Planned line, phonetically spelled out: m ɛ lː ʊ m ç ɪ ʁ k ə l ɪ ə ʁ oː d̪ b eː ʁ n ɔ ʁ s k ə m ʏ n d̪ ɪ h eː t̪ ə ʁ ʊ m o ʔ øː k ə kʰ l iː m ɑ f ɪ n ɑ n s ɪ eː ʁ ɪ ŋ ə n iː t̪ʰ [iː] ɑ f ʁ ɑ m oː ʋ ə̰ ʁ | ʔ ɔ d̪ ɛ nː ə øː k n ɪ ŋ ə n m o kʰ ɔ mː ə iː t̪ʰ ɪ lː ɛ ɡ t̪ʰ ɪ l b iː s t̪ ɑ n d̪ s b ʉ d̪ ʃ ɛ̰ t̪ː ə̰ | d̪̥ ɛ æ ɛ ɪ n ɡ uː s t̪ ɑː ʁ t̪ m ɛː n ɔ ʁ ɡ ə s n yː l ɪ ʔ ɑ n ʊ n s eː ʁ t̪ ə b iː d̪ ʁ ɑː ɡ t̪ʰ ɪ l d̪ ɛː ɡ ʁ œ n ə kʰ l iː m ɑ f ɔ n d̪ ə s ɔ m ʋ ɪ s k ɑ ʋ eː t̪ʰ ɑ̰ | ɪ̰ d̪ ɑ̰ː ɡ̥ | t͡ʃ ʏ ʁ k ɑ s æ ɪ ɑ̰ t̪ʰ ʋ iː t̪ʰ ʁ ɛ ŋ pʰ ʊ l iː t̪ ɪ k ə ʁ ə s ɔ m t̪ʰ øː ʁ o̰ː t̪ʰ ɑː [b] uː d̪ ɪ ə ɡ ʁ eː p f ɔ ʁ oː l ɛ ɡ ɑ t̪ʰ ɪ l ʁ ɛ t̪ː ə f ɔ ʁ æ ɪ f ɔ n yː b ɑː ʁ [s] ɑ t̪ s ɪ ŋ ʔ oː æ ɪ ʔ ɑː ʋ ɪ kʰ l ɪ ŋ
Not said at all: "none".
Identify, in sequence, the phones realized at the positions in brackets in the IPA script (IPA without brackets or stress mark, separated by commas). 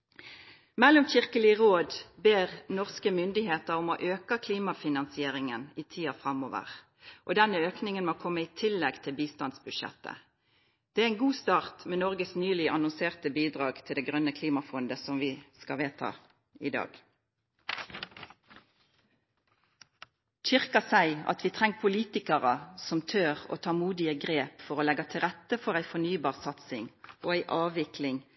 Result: iː, m, s